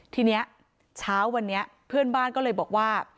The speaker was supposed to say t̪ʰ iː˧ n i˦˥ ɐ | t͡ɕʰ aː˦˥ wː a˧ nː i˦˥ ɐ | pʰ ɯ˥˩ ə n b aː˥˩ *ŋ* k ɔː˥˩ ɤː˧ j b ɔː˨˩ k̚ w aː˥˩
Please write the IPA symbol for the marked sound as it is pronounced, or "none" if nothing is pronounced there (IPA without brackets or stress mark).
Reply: n